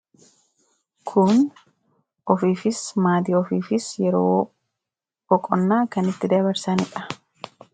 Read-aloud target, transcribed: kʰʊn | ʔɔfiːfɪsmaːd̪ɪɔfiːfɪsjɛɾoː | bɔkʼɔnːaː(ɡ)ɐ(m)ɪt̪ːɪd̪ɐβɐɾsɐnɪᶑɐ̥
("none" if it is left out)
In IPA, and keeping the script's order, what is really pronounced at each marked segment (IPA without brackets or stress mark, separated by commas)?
k, n